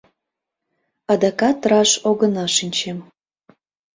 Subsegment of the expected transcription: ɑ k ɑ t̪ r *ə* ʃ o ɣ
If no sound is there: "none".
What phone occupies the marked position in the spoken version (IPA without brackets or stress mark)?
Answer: ɑ